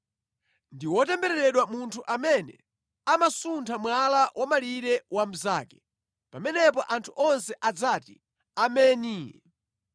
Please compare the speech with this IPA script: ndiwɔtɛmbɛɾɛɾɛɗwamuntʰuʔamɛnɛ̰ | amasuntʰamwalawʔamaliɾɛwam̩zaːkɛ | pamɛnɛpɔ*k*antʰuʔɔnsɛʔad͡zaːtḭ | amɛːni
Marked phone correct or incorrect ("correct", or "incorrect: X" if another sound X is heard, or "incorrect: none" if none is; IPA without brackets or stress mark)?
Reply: incorrect: ʔ